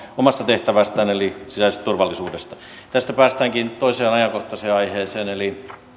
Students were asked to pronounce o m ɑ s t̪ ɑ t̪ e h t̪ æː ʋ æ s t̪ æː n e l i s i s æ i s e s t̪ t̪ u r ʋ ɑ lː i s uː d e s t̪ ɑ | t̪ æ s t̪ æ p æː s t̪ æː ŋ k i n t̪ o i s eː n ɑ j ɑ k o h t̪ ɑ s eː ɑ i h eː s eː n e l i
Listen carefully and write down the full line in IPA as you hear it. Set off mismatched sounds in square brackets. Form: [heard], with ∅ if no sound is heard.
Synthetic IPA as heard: o m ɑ s t̪ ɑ t̪ e h t̪ [æ] ʋ æ s t̪ æː n e l i s i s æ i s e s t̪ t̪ u r ʋ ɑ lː i s uː d e s t̪ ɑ | t̪ æ s t̪ æ p æː s t̪ æː ŋ k i n t̪ o i s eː n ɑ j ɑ k o h t̪ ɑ s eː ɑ i h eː s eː n e l i

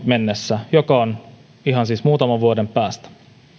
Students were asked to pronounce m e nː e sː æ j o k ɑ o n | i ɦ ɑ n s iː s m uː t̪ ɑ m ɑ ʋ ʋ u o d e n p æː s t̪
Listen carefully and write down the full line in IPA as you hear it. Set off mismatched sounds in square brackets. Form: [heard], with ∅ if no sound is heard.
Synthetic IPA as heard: m e nː e sː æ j o k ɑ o n | i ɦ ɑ n s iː s m uː t̪ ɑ m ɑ ʋ ʋ u o d e [m] p æː s t̪

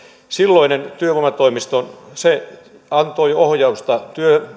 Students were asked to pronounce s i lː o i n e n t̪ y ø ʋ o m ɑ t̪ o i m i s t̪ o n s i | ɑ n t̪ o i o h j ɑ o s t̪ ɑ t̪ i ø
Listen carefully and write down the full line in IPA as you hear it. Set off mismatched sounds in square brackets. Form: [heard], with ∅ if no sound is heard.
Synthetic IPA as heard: s i lː o i n e n t̪ y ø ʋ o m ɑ t̪ o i m i s t̪ o n s [e] | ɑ n t̪ o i o h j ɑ [u] s t̪ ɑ t̪ [y] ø

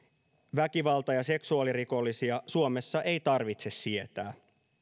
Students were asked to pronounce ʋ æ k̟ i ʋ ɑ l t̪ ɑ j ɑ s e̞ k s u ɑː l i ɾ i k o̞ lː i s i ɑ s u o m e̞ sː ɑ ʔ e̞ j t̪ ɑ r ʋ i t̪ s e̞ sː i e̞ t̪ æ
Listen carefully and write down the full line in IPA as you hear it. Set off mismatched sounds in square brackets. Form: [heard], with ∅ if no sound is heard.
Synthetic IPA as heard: ʋ æ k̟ i ʋ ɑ l t̪ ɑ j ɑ s e̞ k s u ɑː l i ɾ i k o̞ lː i s i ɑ s u o m e̞ sː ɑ ʔ e̞ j t̪ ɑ r ʋ i t̪ s e̞ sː i e̞ t̪ [æː]

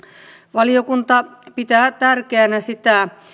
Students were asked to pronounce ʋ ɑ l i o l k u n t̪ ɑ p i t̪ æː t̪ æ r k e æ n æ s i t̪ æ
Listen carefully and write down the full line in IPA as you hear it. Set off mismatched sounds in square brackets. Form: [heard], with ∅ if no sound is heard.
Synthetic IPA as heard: ʋ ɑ l i o [∅] k u n t̪ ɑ p i t̪ æː t̪ æ r k e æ n æ s i t̪ æ

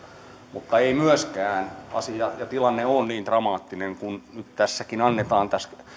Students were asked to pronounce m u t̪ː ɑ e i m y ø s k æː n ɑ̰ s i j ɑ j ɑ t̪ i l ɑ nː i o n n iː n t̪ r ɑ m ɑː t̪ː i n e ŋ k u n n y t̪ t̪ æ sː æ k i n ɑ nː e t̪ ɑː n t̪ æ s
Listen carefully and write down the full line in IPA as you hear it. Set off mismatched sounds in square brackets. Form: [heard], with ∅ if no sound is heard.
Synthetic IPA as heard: m u t̪ː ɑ e i m y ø s k æː n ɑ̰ s i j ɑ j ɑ t̪ i l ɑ nː [e] o n n iː n t̪ r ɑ m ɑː t̪ː i n e ŋ k u n n y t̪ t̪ æ sː æ k i n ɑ nː e t̪ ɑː n t̪ æ s

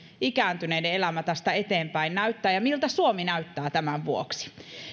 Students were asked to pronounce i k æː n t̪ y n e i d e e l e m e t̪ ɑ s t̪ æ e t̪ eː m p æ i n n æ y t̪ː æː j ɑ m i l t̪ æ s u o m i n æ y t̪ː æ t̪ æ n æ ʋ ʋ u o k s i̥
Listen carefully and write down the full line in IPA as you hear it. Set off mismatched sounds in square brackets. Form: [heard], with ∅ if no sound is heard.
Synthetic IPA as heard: i k æː n t̪ y n e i d e e l [æ] m [æ] t̪ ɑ s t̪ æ e t̪ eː m p æ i n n æ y t̪ː æː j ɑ m i l t̪ æ s u o m i n æ y t̪ː [æː] t̪ æ [m] æ ʋ ʋ u o k s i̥

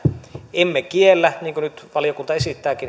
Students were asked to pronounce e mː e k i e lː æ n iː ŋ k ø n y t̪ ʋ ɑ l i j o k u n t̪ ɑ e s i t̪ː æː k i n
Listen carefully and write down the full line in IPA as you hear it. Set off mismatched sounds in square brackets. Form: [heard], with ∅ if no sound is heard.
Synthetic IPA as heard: e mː e k i e lː æ n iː ŋ k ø n y t̪ ʋ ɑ l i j o k u n t̪ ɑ e s i t̪ː æː k i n

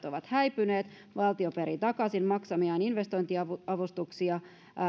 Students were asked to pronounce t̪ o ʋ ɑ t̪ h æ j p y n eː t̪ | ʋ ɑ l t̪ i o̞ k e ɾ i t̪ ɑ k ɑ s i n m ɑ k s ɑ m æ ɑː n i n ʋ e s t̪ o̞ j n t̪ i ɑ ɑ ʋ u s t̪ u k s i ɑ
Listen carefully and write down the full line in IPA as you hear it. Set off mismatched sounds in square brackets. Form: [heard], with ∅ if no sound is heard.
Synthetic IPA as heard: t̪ o ʋ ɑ t̪ h æ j p y n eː t̪ | ʋ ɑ l t̪ i o̞ [p] e ɾ i t̪ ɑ k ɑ s i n m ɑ k s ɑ m [i] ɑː n i n ʋ e s t̪ o̞ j n t̪ i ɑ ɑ ʋ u s t̪ u k s i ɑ

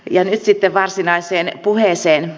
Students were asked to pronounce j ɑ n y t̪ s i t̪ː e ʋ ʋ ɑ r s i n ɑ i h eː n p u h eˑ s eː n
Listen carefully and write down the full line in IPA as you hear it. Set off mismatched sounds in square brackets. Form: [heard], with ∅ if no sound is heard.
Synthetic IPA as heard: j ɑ n y t̪ s i t̪ː e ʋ ʋ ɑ r s i n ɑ i [s] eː n p u h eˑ s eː n

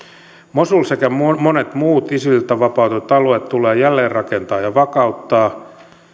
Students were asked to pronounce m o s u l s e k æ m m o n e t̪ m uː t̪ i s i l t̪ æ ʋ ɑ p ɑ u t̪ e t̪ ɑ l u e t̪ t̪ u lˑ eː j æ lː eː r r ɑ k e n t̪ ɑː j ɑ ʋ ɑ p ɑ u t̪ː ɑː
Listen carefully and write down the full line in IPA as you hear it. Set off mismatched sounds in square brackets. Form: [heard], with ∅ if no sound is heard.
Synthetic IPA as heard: m o s u l s e k æ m m o n e t̪ m uː t̪ i s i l t̪ æ ʋ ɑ p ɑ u t̪ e t̪ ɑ l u e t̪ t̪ u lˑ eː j æ lː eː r r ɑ k e n t̪ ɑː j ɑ ʋ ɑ [k] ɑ u t̪ː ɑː

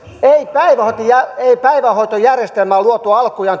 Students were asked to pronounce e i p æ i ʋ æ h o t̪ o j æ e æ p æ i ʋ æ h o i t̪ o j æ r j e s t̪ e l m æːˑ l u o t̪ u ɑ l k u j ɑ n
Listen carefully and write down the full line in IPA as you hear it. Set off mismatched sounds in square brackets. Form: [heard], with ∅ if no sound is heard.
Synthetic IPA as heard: e i p æ i ʋ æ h o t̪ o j æ e [i] p æ i ʋ æ h o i t̪ o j æ r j e s t̪ e l m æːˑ l u o t̪ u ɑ l k u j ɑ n

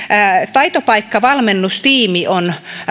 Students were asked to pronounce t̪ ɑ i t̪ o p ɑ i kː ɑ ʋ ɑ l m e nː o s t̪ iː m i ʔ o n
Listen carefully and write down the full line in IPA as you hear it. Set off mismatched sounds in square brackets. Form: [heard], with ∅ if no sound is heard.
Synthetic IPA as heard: t̪ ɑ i t̪ o p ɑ i kː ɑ ʋ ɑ l m e nː [u] s t̪ iː m i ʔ o n

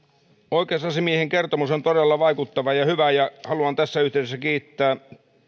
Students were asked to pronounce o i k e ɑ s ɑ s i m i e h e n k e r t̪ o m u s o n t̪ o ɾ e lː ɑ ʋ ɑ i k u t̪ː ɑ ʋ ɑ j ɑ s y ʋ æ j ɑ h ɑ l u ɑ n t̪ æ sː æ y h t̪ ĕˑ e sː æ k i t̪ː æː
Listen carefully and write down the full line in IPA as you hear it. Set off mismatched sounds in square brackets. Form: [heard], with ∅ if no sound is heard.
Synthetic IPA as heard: o i k e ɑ s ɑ s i m i e h e [ŋ] k e r t̪ o m u s o n t̪ o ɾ e lː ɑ ʋ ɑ i k u t̪ː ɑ ʋ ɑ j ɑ [h] y ʋ æ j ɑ h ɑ l u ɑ n t̪ æ sː æ y h t̪ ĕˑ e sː æ k [iː] t̪ː æː

